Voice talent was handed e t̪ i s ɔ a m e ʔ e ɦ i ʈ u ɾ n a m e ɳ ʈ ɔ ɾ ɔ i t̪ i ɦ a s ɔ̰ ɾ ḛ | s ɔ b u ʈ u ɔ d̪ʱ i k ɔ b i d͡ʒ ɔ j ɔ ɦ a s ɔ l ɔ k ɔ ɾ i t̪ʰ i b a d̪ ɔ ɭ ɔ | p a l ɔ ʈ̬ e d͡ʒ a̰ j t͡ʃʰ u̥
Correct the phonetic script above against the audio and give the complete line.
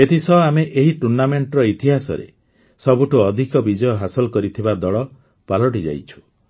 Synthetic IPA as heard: e t̪ i s ɔ a m e ʔ e ɦ i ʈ u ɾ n a m e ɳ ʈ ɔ ɾ ɔ i t̪ i ɦ a s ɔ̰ ɾ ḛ | s ɔ b u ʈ u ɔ d̪ʱ i k ɔ b i d͡ʒ ɔ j ɔ ɦ a s ɔ l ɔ k ɔ ɾ i t̪ʰ i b a d̪ ɔ ɭ ɔ | p a l ɔ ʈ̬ i d͡ʒ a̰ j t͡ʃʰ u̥